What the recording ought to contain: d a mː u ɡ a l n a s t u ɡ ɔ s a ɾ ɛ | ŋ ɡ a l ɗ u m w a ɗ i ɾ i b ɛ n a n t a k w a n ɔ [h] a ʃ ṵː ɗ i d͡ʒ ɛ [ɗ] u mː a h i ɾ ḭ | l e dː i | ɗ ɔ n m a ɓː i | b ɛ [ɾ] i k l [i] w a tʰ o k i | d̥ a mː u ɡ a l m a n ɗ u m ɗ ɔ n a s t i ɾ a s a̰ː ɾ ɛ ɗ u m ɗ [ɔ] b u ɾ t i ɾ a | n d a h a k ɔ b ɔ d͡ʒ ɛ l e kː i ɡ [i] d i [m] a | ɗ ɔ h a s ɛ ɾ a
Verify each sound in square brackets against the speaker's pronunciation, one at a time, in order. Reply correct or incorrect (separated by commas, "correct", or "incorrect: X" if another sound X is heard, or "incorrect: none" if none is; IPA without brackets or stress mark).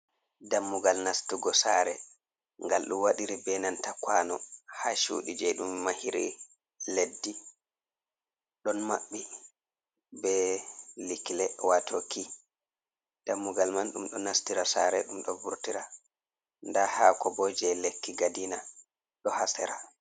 correct, correct, incorrect: l, incorrect: ɛ, correct, incorrect: a, incorrect: n